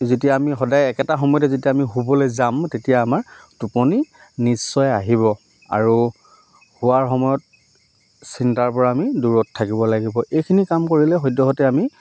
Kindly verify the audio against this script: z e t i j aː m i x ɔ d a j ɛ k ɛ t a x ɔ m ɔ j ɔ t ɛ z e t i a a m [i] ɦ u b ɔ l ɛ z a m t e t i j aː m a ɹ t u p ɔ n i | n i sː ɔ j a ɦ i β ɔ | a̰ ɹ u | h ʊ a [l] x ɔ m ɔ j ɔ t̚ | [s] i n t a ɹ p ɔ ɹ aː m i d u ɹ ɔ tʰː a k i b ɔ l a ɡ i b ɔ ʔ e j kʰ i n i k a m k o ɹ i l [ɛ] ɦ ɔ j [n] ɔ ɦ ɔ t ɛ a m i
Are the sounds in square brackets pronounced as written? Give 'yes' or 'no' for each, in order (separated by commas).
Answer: yes, no, yes, yes, no